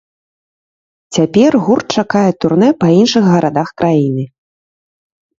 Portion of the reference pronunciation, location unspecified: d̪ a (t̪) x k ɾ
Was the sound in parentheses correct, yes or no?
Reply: no